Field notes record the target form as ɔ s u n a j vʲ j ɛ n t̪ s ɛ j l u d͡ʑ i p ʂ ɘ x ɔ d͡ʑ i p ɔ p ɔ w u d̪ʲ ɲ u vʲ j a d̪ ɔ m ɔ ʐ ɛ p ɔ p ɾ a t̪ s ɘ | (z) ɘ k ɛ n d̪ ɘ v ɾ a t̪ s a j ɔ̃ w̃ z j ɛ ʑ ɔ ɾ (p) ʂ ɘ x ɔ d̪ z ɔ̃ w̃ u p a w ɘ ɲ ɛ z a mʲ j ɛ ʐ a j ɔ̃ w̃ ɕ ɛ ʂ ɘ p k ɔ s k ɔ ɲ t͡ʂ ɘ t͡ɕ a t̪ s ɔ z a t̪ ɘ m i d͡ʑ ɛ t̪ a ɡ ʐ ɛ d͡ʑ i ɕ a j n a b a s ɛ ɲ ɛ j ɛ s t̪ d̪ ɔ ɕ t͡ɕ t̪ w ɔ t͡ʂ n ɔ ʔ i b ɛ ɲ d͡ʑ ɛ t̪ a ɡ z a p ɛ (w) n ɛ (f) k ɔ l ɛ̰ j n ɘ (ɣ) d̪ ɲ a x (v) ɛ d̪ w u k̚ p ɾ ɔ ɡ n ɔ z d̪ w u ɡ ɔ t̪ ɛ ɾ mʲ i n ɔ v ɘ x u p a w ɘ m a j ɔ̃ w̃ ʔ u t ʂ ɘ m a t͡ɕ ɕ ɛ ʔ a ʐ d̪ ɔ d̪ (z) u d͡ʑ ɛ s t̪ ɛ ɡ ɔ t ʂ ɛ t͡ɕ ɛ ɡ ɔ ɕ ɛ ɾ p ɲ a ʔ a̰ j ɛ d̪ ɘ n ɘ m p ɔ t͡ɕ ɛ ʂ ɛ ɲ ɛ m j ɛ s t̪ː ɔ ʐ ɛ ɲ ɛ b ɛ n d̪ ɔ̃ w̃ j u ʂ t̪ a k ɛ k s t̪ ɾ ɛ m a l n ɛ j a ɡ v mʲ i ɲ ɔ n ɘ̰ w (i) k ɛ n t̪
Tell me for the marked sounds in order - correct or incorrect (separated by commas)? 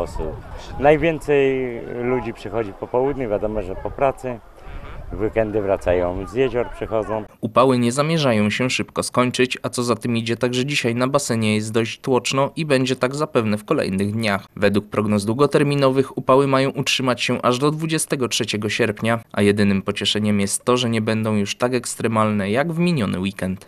incorrect, correct, incorrect, correct, correct, correct, incorrect, correct